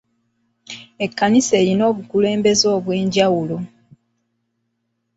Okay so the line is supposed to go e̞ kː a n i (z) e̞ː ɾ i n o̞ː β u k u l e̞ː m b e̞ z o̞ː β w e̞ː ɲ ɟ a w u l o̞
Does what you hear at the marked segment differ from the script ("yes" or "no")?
yes